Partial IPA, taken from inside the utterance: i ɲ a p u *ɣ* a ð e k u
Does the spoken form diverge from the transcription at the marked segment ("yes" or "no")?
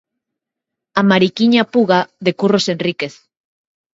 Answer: no